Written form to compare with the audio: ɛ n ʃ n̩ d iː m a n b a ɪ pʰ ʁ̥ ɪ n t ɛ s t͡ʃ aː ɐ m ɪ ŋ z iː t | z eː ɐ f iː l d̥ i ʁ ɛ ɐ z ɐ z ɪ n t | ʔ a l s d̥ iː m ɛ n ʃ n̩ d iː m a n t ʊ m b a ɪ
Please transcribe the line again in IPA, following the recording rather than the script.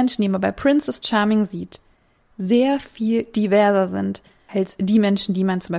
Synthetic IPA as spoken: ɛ n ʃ n̩ d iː m a n b a ɪ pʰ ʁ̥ ɪ n s ɛ s t͡ʃ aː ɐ m ɪ ŋ z iː t | z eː ɐ f iː l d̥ i v ɛ ɐ z ɐ z ɪ n t | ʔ a l s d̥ iː m ɛ n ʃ n̩ d iː m a n t͡s ʊ m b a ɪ